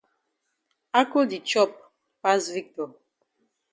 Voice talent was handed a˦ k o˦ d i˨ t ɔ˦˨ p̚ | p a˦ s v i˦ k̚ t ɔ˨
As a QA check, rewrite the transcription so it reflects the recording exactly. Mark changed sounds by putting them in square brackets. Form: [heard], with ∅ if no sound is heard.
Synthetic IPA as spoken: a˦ k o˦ d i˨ [t͡ʃ] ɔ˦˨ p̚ | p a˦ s v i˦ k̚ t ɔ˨